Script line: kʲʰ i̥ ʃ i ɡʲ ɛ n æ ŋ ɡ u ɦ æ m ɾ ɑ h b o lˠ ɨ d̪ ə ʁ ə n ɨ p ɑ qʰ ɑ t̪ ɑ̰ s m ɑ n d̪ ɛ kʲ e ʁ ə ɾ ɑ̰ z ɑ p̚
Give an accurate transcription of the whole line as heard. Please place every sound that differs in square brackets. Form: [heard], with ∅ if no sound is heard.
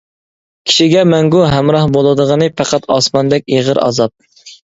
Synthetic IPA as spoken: kʲʰ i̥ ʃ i ɡʲ ɛ [m] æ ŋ ɡ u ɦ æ m ɾ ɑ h b o lˠ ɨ d̪ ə ʁ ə n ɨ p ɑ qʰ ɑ t̪ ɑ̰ s m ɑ n d̪ ɛ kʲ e ʁ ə ɾ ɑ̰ z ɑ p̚